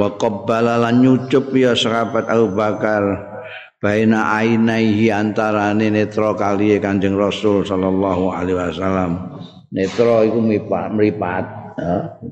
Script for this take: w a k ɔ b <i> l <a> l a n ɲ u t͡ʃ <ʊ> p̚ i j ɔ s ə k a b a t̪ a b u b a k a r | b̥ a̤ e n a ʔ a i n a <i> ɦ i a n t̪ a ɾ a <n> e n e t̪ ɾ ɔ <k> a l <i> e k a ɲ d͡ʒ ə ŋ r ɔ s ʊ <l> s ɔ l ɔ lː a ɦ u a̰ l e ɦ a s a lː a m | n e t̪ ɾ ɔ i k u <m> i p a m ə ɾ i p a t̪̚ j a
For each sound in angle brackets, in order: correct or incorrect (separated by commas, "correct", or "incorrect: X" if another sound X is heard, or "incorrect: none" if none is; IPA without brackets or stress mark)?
incorrect: a, correct, correct, correct, correct, correct, correct, correct, correct